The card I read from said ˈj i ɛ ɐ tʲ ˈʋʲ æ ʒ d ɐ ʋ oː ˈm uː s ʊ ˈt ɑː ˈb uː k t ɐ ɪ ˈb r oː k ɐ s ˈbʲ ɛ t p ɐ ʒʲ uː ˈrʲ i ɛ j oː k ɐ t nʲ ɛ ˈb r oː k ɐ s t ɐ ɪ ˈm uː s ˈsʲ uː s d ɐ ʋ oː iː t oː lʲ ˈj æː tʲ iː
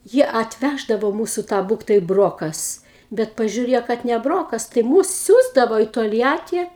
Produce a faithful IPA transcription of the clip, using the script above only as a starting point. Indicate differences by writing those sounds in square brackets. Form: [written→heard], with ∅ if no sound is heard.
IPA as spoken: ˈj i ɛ ɐ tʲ ˈʋʲ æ ʒ d ɐ ʋ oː ˈm uː s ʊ ˈt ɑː ˈb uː k t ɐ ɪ ˈb r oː k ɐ s ˈbʲ ɛ t p ɐ ʒʲ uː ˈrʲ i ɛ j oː k ɐ t nʲ ɛ ˈb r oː k ɐ s t ɐ ɪ ˈm uː s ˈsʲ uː [s→z] d ɐ ʋ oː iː t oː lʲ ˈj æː tʲ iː